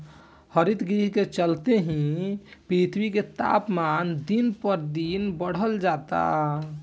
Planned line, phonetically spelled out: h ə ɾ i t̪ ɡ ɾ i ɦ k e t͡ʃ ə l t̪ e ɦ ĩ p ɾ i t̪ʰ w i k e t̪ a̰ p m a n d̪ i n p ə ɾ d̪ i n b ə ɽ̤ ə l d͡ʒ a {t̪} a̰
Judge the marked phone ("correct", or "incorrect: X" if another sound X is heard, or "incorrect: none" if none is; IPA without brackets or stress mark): correct